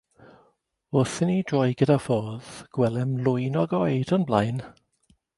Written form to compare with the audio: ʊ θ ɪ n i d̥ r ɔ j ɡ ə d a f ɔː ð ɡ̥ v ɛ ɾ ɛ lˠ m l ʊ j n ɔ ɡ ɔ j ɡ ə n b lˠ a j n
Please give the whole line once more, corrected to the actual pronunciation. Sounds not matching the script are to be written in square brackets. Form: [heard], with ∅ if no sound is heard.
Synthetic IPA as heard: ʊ θ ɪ n i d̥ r ɔ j ɡ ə d a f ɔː ð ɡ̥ [w] ɛ [l] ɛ [∅] m l ʊ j n ɔ ɡ ɔ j [d] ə n b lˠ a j n